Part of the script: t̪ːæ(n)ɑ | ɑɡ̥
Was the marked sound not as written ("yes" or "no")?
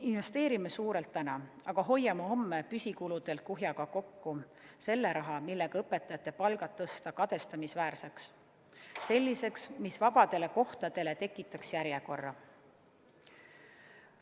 no